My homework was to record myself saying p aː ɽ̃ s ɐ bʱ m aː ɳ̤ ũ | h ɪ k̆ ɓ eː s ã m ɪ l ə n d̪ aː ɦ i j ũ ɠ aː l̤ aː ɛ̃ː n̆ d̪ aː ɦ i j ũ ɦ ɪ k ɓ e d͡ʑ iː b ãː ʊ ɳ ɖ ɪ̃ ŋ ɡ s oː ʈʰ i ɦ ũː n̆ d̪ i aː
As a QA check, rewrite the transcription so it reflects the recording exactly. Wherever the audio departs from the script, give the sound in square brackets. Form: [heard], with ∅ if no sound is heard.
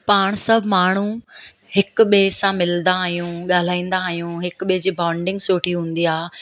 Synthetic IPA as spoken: p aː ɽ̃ s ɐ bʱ m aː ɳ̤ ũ | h ɪ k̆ ɓ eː s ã m ɪ l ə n d̪ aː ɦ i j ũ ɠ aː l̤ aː [ĩː] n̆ d̪ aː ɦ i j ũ ɦ ɪ k ɓ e d͡ʑ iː b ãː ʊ ɳ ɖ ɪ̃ ŋ ɡ s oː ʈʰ i ɦ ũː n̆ d̪ i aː